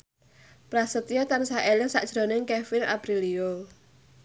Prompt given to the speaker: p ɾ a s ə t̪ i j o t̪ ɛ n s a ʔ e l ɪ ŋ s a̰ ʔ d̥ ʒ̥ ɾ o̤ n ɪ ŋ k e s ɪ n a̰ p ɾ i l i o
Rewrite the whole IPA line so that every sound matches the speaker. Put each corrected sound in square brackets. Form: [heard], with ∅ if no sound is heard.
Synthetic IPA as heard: p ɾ a s ə t̪ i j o t̪ [a] n s a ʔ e l ɪ ŋ s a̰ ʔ d̥ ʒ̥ ɾ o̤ n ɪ ŋ k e [f] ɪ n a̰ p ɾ i l i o

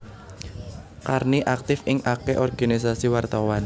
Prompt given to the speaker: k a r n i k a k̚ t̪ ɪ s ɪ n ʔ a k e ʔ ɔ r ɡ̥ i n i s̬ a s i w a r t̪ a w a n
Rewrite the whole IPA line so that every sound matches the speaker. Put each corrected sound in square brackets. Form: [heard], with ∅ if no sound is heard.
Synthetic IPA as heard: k a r n i [ʔ] a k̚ t̪ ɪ [f] ɪ [ŋ] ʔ a k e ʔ ɔ r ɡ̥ [a] n i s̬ a s i w a r t̪ a w a n

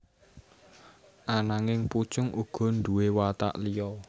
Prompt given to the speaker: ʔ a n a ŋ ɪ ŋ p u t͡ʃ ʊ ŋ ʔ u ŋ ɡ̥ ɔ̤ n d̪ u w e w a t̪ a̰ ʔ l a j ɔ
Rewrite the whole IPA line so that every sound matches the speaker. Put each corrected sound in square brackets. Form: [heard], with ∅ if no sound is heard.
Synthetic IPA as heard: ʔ a n a ŋ ɪ ŋ p u t͡ʃ ʊ ŋ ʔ u [∅] ɡ̥ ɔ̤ n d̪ u w e w a t̪ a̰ ʔ l [i] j ɔ

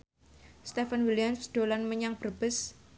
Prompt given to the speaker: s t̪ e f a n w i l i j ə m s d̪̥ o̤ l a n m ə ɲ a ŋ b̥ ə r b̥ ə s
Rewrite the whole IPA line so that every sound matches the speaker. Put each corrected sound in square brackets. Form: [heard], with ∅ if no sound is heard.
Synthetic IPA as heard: s t̪ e f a n w i l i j [a] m s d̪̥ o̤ l a n m ə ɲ a ŋ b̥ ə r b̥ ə s

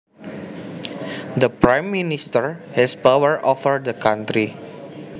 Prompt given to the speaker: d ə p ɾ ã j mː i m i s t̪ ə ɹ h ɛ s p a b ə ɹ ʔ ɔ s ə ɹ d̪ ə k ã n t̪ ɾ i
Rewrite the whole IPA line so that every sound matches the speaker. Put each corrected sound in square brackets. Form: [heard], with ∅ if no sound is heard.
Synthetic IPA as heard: d ə p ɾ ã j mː i [n] i s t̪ ə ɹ h ɛ s p a [w] ə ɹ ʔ ɔ [f] ə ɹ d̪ ə k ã n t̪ ɾ i

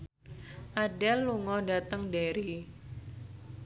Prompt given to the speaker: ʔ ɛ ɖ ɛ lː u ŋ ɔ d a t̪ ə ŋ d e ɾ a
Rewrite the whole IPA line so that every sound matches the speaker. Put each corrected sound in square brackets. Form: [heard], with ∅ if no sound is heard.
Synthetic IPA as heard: ʔ [a] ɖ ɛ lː u ŋ ɔ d a t̪ ə ŋ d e ɾ [i]

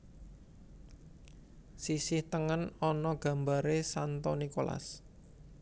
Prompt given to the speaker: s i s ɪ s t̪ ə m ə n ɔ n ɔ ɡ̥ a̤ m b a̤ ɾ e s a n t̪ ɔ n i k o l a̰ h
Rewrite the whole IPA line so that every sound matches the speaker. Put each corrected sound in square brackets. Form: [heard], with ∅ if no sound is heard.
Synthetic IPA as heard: s i s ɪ [h] t̪ ə [ŋ] ə n ɔ n ɔ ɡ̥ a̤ m b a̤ ɾ e s a n t̪ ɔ n i k o l a̰ [s]

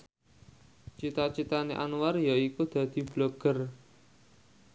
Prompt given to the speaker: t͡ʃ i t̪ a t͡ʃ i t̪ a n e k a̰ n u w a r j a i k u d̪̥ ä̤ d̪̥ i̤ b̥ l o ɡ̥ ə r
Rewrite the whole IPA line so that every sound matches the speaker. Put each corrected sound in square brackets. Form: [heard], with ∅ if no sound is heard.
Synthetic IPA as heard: t͡ʃ i t̪ a t͡ʃ i t̪ a n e [ʔ] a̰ n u w a r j a i k u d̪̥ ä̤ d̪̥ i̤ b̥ l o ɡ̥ ə r

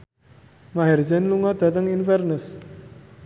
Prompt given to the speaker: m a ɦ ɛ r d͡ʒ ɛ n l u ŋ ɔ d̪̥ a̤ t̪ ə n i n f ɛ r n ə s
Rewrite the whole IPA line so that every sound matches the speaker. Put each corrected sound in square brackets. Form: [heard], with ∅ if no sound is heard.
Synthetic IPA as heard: m a ɦ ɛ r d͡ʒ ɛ n l u ŋ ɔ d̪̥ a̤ t̪ ə [ŋ] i n f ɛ r n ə s

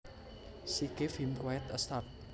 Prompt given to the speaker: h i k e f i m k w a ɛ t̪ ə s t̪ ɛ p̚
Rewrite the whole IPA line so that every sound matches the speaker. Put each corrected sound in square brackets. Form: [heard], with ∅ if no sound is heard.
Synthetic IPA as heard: [s] i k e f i m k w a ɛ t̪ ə s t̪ [a] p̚

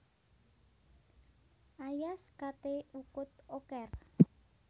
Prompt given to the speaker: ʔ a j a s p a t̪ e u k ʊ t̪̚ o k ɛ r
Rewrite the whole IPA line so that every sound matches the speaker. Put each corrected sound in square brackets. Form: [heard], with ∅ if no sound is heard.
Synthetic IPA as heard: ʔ a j a s [k] a t̪ e u k ʊ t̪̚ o k ɛ r

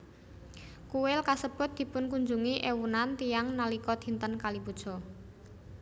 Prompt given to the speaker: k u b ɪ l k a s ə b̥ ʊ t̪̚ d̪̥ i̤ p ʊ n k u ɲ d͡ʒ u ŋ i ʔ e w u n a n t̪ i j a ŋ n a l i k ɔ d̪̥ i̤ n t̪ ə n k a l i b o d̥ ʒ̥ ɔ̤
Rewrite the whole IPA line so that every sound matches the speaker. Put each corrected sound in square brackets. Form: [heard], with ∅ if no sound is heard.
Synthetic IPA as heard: k u [w] ɪ l k a s ə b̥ ʊ t̪̚ d̪̥ i̤ p ʊ n k u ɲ d͡ʒ u ŋ i ʔ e w u n a n t̪ i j a ŋ n a l i k ɔ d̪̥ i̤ n t̪ ə n k a l i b [u] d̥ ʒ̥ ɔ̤

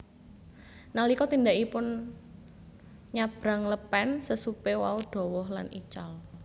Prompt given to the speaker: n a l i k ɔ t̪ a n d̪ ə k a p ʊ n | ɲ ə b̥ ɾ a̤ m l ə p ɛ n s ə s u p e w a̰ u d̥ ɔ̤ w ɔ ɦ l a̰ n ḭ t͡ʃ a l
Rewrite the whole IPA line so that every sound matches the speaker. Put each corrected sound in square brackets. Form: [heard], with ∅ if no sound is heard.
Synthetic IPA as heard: n a l i k ɔ t̪ [i] n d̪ [a] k [i] p ʊ n | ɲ [a] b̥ ɾ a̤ [ŋ] l ə p ɛ n s ə s u p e w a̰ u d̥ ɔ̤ w ɔ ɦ l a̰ n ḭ t͡ʃ a l

